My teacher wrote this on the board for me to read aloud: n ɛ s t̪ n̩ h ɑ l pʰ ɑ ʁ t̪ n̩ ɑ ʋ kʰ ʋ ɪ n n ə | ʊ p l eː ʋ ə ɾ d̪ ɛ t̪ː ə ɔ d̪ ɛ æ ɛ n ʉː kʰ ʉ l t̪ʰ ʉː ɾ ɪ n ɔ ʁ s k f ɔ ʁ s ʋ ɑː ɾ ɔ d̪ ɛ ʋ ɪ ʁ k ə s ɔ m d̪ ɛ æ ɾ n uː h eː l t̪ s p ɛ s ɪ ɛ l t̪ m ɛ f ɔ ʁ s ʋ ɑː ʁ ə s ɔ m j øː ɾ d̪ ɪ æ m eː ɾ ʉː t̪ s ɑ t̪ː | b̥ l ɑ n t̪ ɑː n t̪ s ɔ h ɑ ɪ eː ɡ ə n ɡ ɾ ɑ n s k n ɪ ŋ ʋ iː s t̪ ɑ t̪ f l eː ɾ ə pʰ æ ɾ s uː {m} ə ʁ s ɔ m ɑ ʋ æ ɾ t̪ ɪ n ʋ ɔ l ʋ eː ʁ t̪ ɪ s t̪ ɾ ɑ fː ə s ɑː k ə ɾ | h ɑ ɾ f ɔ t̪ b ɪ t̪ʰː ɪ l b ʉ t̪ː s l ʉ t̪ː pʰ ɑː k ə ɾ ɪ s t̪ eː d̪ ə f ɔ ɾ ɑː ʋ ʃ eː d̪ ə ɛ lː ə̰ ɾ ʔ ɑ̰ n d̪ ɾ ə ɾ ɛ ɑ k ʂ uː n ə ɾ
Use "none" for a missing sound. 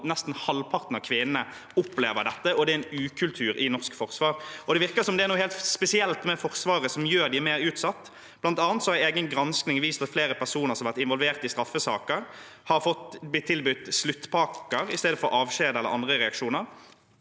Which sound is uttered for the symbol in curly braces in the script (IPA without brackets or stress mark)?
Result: n